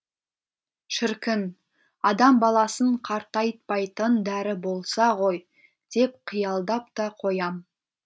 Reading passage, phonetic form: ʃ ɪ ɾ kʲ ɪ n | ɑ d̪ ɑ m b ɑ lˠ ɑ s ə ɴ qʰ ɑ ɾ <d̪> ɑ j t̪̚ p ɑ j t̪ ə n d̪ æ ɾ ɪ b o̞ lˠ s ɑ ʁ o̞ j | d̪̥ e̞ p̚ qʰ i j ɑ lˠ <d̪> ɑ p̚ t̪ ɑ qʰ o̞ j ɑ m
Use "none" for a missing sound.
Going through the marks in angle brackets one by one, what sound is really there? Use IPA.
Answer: t̪, d̪

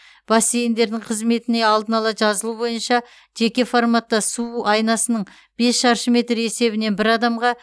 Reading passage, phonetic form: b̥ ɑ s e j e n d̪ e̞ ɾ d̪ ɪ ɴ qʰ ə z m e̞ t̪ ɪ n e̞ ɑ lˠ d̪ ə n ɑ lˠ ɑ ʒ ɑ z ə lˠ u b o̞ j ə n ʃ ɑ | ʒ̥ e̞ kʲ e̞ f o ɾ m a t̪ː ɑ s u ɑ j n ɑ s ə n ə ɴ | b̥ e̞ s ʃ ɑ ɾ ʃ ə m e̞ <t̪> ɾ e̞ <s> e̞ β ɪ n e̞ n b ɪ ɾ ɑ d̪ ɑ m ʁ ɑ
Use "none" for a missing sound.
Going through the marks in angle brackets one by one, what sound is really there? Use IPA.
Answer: t̪, s

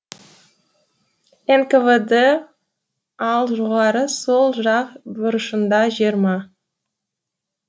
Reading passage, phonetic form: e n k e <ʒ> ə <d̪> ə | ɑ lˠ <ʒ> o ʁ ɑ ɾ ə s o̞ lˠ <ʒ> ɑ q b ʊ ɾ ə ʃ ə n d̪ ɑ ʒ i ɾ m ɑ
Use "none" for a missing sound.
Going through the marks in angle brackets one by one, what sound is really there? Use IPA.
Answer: v, d̪, ʒ, ʒ

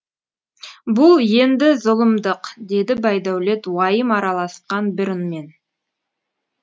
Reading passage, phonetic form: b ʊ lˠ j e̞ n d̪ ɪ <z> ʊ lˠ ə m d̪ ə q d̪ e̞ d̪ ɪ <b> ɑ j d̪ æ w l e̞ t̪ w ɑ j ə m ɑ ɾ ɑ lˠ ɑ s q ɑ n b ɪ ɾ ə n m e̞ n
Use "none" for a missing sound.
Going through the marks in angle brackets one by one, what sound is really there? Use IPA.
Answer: z, b

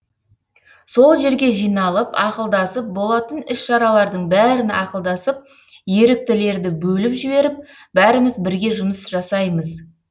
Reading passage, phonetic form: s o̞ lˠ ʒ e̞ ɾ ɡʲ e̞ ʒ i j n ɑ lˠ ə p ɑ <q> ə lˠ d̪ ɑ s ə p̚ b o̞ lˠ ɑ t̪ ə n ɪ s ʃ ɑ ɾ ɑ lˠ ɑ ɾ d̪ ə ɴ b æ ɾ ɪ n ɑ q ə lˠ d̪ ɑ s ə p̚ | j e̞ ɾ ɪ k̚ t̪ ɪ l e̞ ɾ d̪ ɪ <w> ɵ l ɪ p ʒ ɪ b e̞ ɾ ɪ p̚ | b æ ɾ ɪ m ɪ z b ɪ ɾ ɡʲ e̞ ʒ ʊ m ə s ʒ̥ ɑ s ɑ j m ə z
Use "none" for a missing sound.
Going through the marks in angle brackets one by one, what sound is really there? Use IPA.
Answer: q, b

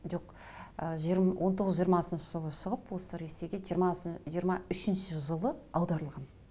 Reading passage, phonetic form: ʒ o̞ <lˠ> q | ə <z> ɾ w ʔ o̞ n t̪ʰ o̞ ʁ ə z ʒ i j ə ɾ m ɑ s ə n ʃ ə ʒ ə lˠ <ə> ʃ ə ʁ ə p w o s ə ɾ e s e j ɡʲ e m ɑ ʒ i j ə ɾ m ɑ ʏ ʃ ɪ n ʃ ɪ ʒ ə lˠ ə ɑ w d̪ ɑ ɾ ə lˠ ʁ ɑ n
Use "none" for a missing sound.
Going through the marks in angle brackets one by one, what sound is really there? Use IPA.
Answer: none, ʒ, ə

